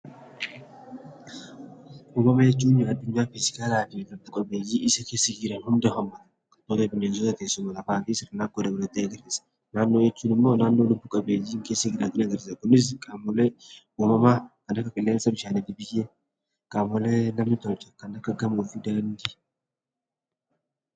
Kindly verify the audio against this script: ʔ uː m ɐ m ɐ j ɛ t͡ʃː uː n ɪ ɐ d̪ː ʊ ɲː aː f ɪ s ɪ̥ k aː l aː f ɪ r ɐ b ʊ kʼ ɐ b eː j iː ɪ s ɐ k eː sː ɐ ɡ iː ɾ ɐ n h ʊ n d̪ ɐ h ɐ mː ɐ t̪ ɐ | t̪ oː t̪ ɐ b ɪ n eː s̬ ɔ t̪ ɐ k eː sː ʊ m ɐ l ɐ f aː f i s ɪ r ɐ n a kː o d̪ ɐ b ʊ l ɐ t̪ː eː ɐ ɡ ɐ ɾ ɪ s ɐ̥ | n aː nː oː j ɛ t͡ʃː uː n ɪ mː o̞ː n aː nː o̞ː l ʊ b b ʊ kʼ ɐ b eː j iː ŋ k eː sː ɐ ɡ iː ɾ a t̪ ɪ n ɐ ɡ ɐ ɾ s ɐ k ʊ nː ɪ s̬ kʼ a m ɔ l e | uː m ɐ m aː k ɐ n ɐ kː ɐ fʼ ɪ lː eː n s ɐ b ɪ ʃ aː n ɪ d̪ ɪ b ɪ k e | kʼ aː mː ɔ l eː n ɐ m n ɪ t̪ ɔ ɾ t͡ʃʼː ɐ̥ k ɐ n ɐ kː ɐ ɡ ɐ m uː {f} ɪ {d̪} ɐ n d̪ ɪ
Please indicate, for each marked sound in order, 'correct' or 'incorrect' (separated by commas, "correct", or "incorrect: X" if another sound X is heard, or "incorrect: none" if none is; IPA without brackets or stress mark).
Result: correct, correct